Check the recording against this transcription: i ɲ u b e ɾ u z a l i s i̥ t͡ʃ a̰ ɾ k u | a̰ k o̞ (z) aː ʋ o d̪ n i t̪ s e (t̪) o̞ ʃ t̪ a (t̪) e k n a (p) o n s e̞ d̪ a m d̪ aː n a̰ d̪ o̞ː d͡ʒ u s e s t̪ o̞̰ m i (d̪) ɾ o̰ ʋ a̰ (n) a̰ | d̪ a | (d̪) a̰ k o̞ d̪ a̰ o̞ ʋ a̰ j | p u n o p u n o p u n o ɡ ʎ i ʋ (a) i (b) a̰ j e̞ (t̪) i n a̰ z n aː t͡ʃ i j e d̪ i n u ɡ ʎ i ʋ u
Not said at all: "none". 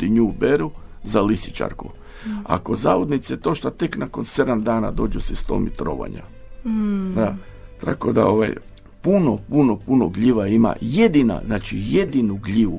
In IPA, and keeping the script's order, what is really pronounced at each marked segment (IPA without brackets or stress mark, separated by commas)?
z, t̪, t̪, k, t̪, ɲ, t̪, a, m, d̪